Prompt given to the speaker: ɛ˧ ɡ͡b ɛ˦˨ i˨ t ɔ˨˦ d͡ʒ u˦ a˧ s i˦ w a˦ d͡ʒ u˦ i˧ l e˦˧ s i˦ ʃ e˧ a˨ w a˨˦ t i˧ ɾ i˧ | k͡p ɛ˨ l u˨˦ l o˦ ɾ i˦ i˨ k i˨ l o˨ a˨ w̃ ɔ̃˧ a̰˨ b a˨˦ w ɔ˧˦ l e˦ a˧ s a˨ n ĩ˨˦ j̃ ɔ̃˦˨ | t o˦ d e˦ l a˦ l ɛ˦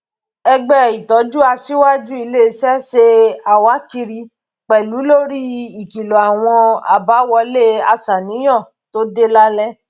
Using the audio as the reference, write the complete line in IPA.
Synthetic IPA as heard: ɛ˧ ɡ͡b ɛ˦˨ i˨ t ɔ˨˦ d͡ʒ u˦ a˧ s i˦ w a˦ d͡ʒ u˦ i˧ l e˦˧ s ɛ˦ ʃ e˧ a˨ w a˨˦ k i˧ ɾ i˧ | k͡p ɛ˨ l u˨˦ l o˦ ɾ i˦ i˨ k i˨ l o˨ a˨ w̃ ɔ̃˧ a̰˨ b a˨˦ w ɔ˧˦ l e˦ a˧ s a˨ n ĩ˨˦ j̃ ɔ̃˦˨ | t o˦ d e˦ l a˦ l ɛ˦